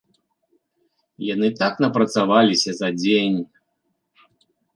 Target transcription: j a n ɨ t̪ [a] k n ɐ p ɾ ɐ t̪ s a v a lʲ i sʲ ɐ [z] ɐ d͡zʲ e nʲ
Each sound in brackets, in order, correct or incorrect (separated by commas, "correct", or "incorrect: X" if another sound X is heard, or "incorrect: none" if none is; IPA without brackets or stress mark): correct, correct